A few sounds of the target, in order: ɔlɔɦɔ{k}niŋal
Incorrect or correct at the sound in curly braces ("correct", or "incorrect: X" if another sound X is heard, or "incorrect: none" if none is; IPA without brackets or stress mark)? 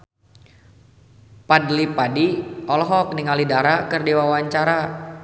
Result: correct